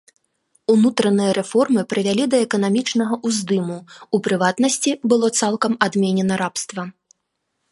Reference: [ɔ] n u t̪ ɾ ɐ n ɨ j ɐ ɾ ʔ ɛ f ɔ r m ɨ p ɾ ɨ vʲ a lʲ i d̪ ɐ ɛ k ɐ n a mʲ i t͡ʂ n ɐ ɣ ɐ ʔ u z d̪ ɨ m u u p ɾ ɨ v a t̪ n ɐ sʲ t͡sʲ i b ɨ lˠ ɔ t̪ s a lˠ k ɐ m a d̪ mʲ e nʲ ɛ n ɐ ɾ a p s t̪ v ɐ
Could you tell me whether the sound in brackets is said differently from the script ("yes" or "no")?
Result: yes